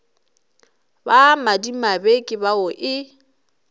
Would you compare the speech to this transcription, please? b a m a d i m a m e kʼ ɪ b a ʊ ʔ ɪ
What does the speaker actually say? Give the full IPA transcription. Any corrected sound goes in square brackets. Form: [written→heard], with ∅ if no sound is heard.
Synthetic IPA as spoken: b a m a d i m a [m→b] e kʼ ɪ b a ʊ ʔ ɪ